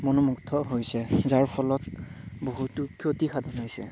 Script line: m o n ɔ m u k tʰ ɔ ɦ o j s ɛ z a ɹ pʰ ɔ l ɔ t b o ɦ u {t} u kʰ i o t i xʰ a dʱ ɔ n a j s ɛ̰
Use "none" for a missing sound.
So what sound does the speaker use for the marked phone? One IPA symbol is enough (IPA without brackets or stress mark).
t